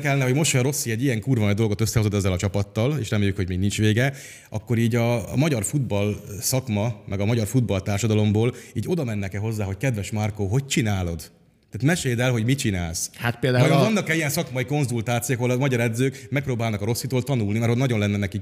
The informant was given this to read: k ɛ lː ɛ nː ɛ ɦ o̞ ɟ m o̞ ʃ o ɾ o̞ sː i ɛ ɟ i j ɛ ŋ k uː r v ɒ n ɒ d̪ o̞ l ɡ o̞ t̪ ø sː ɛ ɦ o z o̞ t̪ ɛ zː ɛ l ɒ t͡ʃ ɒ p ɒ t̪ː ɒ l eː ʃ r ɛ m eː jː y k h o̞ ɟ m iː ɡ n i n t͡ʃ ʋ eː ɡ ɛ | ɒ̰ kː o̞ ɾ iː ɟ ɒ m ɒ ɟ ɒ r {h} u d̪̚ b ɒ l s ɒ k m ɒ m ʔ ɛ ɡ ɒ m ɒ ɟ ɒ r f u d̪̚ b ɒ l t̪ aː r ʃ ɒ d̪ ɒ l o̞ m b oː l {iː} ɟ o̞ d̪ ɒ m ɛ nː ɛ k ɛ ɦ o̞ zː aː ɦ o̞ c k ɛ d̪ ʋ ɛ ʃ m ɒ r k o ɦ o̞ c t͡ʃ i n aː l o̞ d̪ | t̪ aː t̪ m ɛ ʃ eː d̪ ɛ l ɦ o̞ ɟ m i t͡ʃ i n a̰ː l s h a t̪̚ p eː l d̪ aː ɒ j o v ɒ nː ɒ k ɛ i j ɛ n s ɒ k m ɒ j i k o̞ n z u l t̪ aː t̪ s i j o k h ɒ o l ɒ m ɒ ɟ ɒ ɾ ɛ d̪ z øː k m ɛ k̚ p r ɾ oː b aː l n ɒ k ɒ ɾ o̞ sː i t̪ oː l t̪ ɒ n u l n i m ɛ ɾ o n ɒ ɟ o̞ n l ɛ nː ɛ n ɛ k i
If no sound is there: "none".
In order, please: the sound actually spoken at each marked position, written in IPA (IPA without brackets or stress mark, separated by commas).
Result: f, iː